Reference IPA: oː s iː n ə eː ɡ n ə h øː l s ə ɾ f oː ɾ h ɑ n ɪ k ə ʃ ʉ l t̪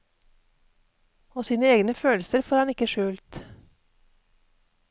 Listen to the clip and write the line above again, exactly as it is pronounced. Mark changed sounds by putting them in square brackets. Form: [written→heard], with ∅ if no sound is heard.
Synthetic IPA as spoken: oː s iː n ə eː ɡ n ə [h→f] øː l s ə ɾ f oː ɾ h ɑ n ɪ k ə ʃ [ʉ→ʉː] l t̪